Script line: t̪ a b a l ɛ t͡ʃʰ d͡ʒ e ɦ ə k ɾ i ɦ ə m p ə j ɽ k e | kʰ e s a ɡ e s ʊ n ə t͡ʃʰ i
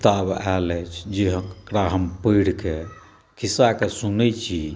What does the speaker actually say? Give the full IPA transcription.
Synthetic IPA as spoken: t̪ a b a l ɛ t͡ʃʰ d͡ʒ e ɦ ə k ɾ a ɦ ə m p ə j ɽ k e | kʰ i s a k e s u n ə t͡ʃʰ i

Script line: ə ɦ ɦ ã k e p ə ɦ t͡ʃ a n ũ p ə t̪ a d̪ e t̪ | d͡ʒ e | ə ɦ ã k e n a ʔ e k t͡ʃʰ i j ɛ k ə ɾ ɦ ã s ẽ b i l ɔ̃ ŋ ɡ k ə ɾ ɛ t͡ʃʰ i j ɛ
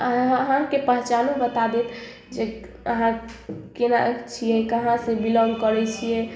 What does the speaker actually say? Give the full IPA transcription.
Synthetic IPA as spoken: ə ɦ ɦ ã k e p ə ɦ t͡ʃ a n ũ b ə t̪ a d̪ e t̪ | d͡ʒ e | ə ɦ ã k e n a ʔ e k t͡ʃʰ i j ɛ k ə ɦ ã s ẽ b i l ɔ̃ ŋ ɡ k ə ɾ ɛ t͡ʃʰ i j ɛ

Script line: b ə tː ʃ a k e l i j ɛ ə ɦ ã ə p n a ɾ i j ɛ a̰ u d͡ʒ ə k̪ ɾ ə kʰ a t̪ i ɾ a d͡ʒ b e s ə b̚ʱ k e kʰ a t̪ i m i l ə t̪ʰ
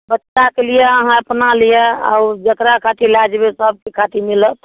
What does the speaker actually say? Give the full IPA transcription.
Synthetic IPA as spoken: b ə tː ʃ a k e l i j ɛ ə ɦ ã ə p n a l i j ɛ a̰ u d͡ʒ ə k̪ ɾ a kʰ a t̪ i l a d͡ʒ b e s ə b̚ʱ k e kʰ a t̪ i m i l ə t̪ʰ

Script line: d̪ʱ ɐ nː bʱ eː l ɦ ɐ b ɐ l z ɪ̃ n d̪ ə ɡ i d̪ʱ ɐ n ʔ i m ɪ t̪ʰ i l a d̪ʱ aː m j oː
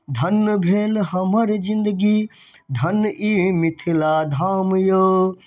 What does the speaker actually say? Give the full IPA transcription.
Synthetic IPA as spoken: d̪ʱ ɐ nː bʱ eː l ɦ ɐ m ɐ ɾ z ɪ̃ n d̪ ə ɡ i d̪ʱ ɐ n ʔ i m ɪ t̪ʰ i l a d̪ʱ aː m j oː

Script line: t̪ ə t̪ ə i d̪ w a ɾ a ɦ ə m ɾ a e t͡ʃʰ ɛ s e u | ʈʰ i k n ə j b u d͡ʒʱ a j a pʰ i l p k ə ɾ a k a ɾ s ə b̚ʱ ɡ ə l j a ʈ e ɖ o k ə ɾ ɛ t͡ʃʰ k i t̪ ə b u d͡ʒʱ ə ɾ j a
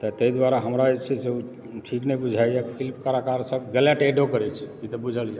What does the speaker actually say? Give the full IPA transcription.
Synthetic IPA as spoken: t̪ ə t̪ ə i d̪ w a ɾ a ɦ ə m ɾ a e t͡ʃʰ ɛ s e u | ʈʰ i k n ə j b u d͡ʒʱ a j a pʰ i l p k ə ɾ a k a ɾ s ə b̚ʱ ɡ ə l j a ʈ e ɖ o k ə ɾ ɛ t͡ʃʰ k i t̪ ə b u d͡ʒʱ ə l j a

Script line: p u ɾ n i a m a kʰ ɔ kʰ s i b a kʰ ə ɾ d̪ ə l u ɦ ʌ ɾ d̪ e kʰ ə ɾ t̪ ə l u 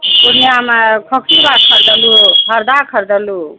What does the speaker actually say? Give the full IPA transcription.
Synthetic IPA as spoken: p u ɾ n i a m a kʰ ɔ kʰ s i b a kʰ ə ɾ d̪ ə l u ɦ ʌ ɾ d̪ a kʰ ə ɾ d̪ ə l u

